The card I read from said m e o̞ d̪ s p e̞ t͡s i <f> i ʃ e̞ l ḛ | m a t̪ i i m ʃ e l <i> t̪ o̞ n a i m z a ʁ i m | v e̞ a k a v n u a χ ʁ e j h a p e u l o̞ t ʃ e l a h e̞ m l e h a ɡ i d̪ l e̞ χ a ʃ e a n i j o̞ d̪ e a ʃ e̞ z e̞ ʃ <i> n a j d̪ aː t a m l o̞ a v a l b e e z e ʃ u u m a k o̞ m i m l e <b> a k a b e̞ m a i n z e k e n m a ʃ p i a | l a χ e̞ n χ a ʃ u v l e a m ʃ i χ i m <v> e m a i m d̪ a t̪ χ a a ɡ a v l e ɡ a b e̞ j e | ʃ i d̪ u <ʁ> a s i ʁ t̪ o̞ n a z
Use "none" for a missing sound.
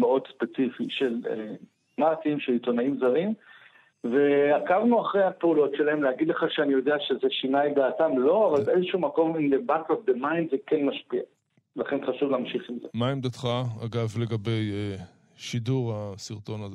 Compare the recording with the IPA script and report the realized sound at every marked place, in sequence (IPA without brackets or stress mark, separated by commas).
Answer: f, i, i, b, z, ʁ